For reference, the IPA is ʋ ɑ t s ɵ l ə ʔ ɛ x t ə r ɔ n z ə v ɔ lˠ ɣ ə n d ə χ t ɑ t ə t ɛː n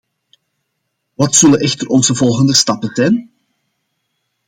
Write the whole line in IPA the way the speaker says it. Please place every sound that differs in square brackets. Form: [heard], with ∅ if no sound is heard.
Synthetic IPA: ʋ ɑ t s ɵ l ə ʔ ɛ x t ə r ɔ n z ə v ɔ lˠ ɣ ə n d ə [s] t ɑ [p] ə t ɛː n

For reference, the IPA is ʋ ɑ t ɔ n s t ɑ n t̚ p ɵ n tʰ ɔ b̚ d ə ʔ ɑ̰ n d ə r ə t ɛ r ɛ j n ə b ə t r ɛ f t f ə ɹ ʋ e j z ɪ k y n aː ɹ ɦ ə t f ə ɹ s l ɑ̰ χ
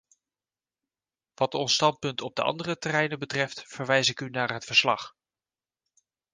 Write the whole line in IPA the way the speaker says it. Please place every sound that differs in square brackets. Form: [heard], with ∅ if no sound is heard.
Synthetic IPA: ʋ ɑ t ɔ n s t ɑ n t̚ p ɵ n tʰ ɔ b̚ d ə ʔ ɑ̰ n d ə r ə t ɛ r ɛ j n ə b ə t r ɛ f t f ə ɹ ʋ [ɛ] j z ɪ k y n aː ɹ ɦ ə t f ə ɹ s l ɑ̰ χ

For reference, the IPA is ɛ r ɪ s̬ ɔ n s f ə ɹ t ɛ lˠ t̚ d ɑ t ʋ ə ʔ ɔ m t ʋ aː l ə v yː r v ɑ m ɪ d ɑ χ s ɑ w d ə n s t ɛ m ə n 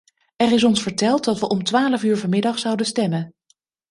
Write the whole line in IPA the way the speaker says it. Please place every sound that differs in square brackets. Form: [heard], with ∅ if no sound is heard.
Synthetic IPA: ɛ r ɪ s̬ ɔ n s f ə ɹ t ɛ lˠ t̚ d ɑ t ʋ ə ʔ ɔ m t ʋ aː l ə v yː [ɹ] v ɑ m ɪ d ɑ χ s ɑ w d ə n s t ɛ m ə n

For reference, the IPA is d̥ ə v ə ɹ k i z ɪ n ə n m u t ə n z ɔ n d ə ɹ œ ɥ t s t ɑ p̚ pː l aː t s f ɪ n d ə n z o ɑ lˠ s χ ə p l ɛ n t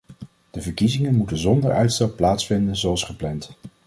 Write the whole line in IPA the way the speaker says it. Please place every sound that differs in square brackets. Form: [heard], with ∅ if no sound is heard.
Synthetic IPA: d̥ ə v ə ɹ k i z ɪ [ŋ] ə n m u t ə n z ɔ n d ə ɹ œ ɥ t s t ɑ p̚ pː l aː t s f ɪ n d ə n z o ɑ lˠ s χ ə p l ɛ n t

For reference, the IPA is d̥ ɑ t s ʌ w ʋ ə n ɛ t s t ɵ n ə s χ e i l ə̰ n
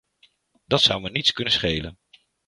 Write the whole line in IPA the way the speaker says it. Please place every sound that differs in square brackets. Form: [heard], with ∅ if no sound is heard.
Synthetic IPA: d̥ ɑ t s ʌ w ʋ ə n [i] t s [k] ɵ n ə s χ e [j] l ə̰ n

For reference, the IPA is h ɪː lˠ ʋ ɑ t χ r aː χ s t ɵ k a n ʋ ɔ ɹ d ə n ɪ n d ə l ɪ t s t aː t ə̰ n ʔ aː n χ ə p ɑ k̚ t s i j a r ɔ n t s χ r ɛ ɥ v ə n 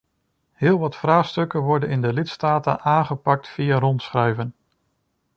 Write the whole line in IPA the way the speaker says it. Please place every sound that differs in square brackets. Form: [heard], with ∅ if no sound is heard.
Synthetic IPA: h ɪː lˠ ʋ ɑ t [f] r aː χ s t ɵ k [ə] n ʋ ɔ ɹ d ə n ɪ n d ə l ɪ t s t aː t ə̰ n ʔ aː n χ ə p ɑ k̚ t [f] i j a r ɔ n t s χ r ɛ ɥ v ə n

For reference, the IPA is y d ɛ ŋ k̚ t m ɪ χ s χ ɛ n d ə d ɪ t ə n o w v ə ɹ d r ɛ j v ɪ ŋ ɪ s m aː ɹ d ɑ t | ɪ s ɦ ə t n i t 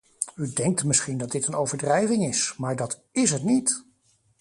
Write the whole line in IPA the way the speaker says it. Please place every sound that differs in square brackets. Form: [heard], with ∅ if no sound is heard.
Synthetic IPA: y d ɛ ŋ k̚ t m ɪ [∅] s χ [i] n d [ɑ] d ɪ t ə n o w v ə ɹ d r ɛ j v ɪ ŋ ɪ s m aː ɹ d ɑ t | ɪ s ɦ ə t n i t

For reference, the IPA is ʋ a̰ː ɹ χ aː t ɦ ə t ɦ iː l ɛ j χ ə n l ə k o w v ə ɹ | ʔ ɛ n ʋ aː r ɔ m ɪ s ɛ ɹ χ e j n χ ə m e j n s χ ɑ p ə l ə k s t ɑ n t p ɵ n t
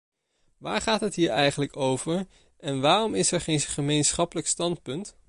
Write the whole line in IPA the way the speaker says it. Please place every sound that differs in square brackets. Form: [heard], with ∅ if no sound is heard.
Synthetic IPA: ʋ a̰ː ɹ χ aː t ɦ ə t ɦ iː [ɹ] ɛ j χ ə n l ə k o w v ə ɹ | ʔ ɛ n ʋ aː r ɔ m ɪ s ɛ ɹ χ e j n χ ə m e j n s χ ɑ p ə l ə k s t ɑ n t p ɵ n t

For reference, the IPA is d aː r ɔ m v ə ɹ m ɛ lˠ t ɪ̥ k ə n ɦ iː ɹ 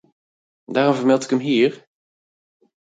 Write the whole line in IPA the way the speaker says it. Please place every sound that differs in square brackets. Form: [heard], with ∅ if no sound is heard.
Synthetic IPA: d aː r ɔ m v ə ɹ m ɛ lˠ t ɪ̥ k ə [m] ɦ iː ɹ

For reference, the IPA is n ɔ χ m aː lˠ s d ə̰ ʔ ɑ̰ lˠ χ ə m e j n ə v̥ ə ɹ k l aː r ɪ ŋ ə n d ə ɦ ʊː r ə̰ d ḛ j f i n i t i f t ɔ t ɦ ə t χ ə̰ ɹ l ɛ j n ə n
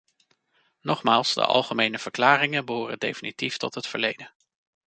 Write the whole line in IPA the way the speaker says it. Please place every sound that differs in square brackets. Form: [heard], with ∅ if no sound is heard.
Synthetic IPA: n ɔ χ m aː lˠ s d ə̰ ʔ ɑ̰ lˠ χ ə m e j n ə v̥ ə ɹ k l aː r ɪ ŋ ə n [b] ə ɦ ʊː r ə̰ d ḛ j f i n i t i f t ɔ t ɦ ə t [f] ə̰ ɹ l [e] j [d] ə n

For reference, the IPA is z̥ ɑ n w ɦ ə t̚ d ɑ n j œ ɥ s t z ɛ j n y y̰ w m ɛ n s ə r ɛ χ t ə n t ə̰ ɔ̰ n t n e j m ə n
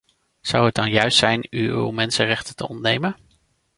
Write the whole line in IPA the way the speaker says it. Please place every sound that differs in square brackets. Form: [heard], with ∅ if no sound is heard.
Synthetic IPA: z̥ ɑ [∅] w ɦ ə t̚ d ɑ n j œ ɥ s t [s] ɛ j n y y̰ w m ɛ n s ə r ɛ χ t ə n t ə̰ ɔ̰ n t n e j m ə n

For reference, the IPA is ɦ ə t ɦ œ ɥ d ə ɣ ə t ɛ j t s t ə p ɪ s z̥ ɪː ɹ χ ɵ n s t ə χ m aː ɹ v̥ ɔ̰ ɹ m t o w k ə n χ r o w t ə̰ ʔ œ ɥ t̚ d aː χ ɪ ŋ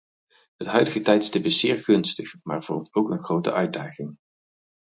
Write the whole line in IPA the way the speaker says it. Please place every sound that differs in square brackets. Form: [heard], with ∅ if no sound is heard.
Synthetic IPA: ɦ ə t ɦ œ ɥ d ə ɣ ə t ɛ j t s t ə p ɪ s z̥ ɪː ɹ χ ɵ n s t ə χ m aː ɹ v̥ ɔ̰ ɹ m t o w k ə n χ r o w t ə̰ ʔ œ ɥ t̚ d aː χ ɪ ŋ

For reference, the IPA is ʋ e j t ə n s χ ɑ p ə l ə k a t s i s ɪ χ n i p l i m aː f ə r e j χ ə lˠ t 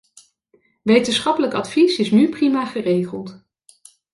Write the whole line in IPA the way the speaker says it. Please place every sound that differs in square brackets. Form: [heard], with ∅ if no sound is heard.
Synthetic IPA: ʋ e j t ə n s χ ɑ p ə l ə k [ɑ] t [f] i s ɪ [s] n [y] p [r] i m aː [χ] ə r e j χ ə lˠ t

